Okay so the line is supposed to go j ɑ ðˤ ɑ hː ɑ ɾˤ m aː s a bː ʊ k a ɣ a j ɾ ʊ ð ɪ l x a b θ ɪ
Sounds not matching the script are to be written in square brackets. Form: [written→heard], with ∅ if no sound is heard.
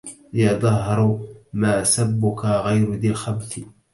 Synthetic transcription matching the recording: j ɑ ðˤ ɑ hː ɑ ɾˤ m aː s a bː ʊ k a ɣ a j ɾ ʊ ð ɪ l x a b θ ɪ